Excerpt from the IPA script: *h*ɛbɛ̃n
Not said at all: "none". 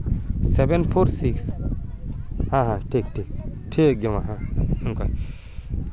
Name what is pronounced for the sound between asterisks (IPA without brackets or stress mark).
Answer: s